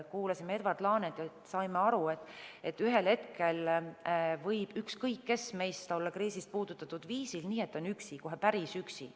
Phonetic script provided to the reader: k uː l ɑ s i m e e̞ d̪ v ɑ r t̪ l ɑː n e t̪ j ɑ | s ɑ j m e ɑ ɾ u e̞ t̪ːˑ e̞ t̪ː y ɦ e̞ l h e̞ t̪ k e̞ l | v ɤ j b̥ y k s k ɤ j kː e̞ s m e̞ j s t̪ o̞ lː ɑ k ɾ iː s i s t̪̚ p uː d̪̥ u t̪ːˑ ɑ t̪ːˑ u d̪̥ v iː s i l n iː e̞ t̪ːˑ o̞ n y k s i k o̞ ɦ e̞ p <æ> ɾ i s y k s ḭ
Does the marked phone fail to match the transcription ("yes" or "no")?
no